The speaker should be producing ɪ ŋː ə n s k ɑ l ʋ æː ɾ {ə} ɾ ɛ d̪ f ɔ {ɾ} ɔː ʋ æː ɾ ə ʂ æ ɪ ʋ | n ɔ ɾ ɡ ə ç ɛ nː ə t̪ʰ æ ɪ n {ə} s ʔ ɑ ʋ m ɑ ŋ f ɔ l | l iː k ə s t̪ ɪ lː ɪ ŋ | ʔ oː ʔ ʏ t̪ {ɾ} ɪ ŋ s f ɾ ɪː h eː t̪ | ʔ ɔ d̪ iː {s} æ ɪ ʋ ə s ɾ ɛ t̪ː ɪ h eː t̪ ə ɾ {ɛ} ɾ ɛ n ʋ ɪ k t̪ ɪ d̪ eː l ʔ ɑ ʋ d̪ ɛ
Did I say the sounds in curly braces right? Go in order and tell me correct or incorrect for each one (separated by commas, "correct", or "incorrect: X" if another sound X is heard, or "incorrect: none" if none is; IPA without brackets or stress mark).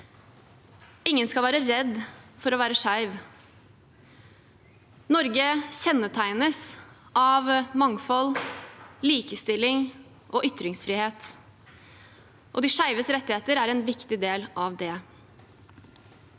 correct, correct, correct, correct, incorrect: ʂ, incorrect: æ